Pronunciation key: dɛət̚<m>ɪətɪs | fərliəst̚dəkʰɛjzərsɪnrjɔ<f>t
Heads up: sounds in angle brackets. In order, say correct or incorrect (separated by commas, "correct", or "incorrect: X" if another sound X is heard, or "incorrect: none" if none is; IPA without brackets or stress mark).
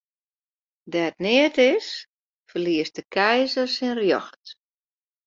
incorrect: n, incorrect: x